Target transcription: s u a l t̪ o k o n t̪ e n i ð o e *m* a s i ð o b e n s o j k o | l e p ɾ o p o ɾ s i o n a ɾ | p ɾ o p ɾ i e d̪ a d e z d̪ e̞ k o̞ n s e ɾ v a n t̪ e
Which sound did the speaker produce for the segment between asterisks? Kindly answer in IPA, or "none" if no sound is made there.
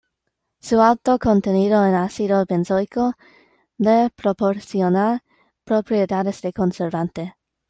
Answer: n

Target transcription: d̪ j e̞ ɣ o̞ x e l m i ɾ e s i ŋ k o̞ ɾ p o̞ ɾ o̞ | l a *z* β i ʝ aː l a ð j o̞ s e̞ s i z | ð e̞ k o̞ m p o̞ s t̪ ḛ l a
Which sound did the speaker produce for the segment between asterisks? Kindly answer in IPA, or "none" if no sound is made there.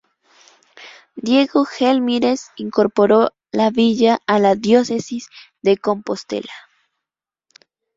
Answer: none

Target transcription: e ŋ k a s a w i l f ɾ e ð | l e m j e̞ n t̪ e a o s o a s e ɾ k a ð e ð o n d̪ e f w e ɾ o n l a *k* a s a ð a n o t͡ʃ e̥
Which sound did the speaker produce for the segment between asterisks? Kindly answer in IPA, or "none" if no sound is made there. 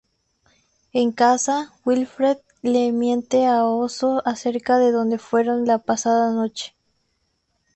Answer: p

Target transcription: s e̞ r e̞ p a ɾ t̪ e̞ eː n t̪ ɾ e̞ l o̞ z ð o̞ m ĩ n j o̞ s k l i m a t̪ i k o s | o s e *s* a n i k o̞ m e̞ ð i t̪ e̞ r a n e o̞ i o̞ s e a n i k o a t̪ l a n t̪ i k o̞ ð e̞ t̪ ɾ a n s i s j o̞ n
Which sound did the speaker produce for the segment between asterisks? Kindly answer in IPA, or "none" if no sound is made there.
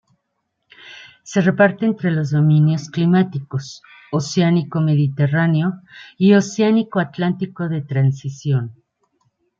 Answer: none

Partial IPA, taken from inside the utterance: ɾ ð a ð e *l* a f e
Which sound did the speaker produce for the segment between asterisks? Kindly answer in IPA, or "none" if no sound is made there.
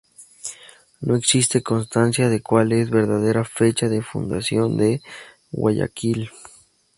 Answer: ɾ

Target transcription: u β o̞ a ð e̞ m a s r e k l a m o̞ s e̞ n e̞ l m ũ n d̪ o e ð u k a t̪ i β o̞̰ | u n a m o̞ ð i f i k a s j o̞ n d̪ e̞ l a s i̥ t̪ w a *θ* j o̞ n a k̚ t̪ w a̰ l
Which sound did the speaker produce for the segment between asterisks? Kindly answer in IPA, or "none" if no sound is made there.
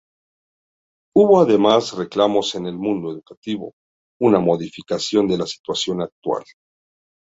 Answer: s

